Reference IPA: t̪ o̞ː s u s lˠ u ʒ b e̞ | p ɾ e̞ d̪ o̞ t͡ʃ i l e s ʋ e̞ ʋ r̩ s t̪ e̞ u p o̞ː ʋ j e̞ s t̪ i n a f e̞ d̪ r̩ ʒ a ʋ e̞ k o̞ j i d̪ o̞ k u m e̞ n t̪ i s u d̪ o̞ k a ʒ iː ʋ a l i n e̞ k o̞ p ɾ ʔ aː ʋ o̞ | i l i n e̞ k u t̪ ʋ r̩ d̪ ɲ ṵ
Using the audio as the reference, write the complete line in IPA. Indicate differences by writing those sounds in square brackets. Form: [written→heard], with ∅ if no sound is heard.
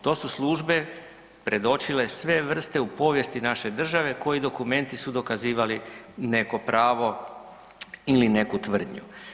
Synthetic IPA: t̪ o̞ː s u s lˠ u ʒ b e̞ | p ɾ e̞ d̪ o̞ t͡ʃ i l e s ʋ e̞ ʋ r̩ s t̪ e̞ u p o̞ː ʋ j e̞ s t̪ i n a [f→ʃ] e̞ d̪ r̩ ʒ a ʋ e̞ k o̞ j i d̪ o̞ k u m e̞ n t̪ i s u d̪ o̞ k a [ʒ→z] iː ʋ a l i n e̞ k o̞ p ɾ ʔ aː ʋ o̞ | i l i n e̞ k u t̪ ʋ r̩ d̪ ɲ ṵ

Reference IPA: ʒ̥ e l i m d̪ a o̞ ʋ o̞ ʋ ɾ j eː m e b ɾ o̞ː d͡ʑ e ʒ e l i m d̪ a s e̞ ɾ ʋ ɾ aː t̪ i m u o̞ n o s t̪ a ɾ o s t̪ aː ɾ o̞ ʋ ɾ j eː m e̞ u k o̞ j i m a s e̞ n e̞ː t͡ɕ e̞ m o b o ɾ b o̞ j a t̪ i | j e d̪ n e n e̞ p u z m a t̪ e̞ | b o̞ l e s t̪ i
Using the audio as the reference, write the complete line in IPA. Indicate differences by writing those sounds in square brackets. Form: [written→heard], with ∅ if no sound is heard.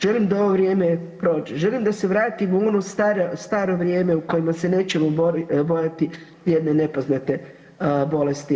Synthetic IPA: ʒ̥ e l i m d̪ a o̞ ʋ o̞ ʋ ɾ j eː m e [b→p] ɾ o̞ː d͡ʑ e ʒ e l i m d̪ a s e̞ [ɾ→∅] ʋ ɾ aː t̪ i m u o̞ n o s t̪ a ɾ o s t̪ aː ɾ o̞ ʋ ɾ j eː m e̞ u k o̞ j i m a s e̞ n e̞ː t͡ɕ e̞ m o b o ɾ b o̞ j a t̪ i | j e d̪ n e n e̞ p [u→o] z [m→n] a t̪ e̞ | b o̞ l e s t̪ i

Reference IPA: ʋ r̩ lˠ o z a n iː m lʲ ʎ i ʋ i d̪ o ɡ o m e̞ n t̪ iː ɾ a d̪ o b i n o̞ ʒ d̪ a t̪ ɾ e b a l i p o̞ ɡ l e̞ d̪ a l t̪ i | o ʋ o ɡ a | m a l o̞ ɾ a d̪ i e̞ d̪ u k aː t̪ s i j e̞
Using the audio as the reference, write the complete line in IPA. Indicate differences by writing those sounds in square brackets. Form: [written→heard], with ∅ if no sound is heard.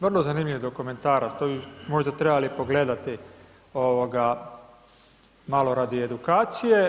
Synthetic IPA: ʋ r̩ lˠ o z a n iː m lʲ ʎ i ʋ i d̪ o [ɡ→k] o m e̞ n t̪ [iː→aː] ɾ a [d̪→t̪] o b i [n→m] o̞ ʒ d̪ a t̪ ɾ e b a l i p o̞ ɡ l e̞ d̪ a [l→∅] t̪ i | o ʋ o ɡ a | m a l o̞ ɾ a d̪ i e̞ d̪ u k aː t̪ s i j e̞

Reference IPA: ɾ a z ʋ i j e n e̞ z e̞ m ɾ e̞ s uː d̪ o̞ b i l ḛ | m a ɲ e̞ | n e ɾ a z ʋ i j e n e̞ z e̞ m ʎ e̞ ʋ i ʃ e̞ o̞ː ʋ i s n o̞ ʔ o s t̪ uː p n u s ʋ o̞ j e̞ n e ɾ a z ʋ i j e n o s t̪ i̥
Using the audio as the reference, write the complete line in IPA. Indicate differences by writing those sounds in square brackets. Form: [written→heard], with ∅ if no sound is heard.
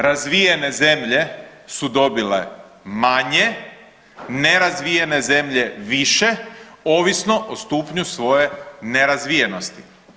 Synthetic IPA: ɾ a z ʋ i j e n e̞ z e̞ m [ɾ→ʎ] e̞ s [uː→u] d̪ o̞ b i l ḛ | m a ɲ e̞ | n e ɾ a z ʋ i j e n e̞ z e̞ m ʎ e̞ ʋ i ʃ e̞ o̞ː ʋ i s n o̞ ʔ o s t̪ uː p [n→ɲ] u s ʋ o̞ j e̞ n e ɾ a z ʋ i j e n o s t̪ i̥

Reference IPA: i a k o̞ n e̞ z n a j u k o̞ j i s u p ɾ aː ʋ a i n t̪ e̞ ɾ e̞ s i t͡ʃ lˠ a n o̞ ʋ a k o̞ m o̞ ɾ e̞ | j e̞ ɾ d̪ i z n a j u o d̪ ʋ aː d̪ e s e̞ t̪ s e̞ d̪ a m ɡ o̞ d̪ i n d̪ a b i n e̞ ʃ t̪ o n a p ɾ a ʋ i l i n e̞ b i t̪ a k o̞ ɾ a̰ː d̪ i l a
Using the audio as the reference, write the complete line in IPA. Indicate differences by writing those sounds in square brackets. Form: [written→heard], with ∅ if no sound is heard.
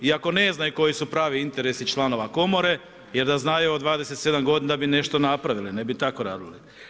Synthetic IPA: i a k o̞ n e̞ z n a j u k o̞ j i s u p ɾ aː ʋ [a→i] i n t̪ e̞ ɾ e̞ s i t͡ʃ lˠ a n o̞ ʋ a k o̞ m o̞ ɾ e̞ | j e̞ ɾ d̪ [i→a] z n a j u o d̪ ʋ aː d̪ e s e̞ t̪ s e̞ d̪ a m ɡ o̞ d̪ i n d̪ a b i n e̞ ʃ t̪ o n a p ɾ a ʋ i l i n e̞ b i t̪ a k o̞ ɾ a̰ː d̪ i l [a→i]

